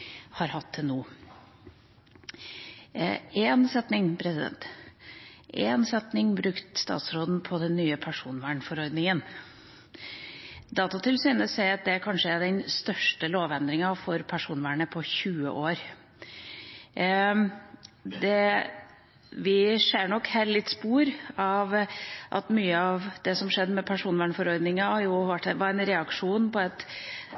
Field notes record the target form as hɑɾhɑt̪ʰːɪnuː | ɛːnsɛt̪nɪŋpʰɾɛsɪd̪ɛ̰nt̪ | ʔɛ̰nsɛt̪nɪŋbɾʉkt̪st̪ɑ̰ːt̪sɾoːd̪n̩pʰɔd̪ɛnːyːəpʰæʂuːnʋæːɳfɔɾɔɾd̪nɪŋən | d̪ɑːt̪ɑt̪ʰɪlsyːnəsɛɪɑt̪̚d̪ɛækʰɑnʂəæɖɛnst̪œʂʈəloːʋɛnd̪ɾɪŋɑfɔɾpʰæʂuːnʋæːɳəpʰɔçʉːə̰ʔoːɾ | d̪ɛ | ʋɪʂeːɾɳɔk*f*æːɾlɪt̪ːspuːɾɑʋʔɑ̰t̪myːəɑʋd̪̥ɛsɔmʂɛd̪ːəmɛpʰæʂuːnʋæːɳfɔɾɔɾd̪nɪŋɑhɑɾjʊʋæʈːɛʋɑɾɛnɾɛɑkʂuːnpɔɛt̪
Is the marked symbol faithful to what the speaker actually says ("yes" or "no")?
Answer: no